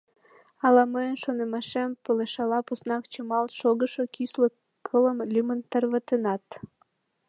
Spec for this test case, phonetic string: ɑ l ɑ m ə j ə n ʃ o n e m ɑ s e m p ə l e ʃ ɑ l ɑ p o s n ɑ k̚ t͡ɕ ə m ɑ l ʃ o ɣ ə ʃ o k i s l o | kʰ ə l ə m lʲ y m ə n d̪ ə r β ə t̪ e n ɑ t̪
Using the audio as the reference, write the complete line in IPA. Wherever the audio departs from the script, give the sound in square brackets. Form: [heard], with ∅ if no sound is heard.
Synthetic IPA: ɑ l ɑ m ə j ə n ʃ o n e m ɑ [ʃ] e m p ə l e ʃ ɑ l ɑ p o s n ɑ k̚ t͡ɕ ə m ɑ l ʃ o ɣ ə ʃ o k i s l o | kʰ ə l ə m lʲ y m ə n [t̪] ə r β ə t̪ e n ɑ t̪